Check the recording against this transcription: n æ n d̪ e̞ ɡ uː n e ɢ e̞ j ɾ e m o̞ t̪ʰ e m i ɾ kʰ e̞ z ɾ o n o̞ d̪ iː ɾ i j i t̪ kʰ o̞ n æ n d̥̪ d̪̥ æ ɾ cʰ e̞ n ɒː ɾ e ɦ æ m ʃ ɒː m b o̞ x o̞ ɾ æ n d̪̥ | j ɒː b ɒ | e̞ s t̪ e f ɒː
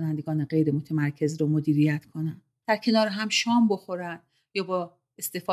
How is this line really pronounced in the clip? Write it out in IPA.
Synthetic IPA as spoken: n æ n d̪ e̞ ɡ ɒː n e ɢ e̞ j ɾ e m o̞ t̪ʰ e m æ ɾ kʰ e̞ z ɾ o m o̞ d̪ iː ɾ i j æ t̪ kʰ o̞ n æ n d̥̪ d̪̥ æ ɾ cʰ e̞ n ɒː ɾ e ɦ æ m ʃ ɒː m b o̞ x o̞ ɾ æ n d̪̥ | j ɒː b ɒ | e̞ s t̪ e f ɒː